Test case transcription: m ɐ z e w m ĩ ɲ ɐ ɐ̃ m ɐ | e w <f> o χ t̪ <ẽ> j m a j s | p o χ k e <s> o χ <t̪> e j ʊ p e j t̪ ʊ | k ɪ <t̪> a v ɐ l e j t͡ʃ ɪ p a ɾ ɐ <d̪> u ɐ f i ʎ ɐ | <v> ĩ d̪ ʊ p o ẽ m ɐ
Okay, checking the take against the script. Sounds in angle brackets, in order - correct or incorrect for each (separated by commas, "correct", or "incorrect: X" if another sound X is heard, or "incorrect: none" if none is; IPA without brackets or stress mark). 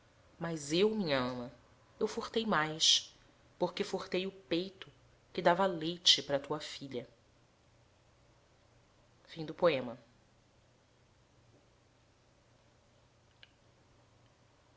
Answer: correct, incorrect: e, incorrect: f, correct, incorrect: d̪, incorrect: t̪, incorrect: f